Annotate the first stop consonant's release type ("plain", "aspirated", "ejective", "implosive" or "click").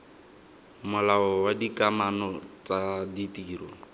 plain